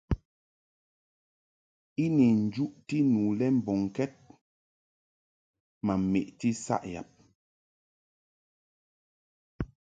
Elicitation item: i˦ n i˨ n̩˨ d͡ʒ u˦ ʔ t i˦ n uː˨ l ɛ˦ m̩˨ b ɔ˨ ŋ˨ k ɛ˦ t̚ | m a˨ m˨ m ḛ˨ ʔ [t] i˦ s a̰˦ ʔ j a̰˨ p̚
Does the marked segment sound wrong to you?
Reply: no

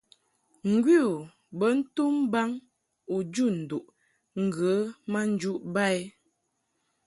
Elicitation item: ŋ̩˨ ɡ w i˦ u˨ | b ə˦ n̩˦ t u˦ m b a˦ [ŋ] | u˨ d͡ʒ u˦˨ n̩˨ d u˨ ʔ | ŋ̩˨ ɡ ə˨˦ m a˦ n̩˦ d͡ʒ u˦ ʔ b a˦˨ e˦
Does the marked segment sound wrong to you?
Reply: no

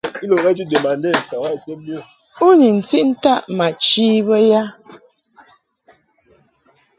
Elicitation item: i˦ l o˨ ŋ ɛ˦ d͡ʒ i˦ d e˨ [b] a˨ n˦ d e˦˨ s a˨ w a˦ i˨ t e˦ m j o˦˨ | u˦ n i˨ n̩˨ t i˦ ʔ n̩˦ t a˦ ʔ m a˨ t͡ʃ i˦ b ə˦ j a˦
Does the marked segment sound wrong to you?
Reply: yes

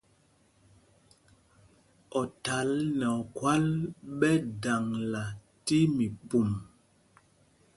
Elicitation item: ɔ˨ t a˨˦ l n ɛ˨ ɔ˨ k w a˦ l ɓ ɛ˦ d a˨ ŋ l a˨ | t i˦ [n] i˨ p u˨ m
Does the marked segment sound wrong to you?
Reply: yes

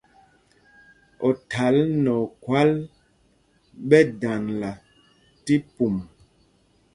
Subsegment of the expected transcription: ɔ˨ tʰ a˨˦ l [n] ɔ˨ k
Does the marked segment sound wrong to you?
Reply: no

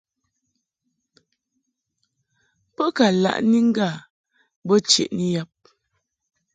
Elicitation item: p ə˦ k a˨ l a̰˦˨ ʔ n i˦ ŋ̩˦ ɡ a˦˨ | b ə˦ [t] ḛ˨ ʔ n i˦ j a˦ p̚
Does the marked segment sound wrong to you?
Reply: yes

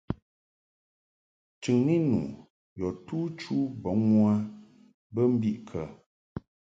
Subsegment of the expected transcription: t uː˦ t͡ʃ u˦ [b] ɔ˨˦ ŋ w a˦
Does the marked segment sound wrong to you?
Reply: no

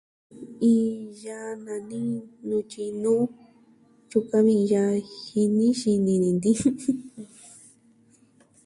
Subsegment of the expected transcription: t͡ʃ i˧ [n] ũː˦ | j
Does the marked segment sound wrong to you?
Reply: no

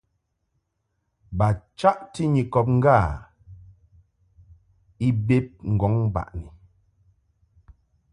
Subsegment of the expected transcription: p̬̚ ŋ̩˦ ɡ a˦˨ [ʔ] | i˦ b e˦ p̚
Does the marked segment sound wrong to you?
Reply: yes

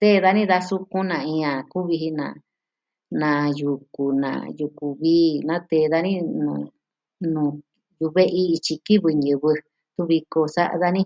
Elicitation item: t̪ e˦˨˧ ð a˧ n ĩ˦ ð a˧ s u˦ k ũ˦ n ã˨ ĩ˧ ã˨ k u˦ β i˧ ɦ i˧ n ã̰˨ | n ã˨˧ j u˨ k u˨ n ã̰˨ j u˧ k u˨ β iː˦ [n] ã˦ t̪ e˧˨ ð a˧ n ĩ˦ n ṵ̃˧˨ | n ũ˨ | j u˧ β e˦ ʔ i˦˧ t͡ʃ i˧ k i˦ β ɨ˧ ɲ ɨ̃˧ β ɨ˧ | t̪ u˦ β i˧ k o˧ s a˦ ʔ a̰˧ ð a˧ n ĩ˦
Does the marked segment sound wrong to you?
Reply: no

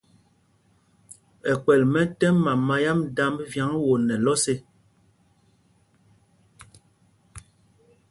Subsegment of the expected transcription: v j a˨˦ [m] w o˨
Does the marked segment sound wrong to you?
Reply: yes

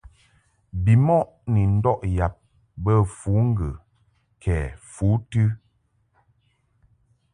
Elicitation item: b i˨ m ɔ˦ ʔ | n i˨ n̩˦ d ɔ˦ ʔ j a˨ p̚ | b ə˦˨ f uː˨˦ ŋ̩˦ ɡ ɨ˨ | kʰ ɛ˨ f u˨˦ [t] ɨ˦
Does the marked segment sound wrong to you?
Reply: no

